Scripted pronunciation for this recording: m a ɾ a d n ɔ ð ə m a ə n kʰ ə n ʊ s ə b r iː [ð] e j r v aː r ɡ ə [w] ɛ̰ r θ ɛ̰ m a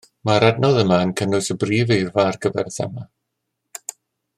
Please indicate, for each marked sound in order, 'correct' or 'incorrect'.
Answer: incorrect: v, incorrect: v

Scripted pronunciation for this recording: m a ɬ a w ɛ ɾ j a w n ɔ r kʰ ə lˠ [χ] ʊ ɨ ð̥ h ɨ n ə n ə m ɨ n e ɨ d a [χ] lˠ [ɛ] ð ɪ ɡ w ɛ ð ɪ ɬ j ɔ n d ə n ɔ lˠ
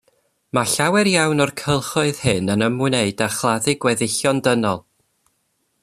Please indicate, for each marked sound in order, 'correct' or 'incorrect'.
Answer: correct, correct, incorrect: a

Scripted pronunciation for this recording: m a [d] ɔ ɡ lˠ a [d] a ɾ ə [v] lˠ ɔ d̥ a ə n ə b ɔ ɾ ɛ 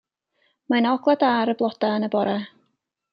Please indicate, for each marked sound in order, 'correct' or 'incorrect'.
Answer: incorrect: n, correct, incorrect: b

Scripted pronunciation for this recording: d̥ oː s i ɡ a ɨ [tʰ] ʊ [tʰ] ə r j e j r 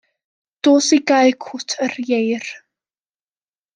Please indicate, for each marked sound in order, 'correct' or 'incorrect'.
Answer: incorrect: kʰ, correct

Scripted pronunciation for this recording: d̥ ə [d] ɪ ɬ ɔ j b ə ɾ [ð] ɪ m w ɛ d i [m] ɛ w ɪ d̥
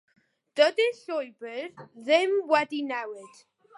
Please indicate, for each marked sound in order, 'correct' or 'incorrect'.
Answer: correct, correct, incorrect: n

